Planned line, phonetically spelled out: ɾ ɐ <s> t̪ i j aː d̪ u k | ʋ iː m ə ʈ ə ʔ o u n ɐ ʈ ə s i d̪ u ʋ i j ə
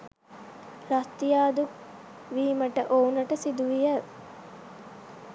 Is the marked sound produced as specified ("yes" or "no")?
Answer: yes